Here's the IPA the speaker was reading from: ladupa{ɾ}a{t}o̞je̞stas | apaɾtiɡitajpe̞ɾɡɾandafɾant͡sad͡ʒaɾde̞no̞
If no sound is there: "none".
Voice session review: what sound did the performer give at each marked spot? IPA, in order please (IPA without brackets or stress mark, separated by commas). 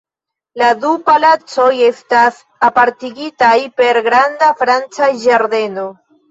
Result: l, t͡s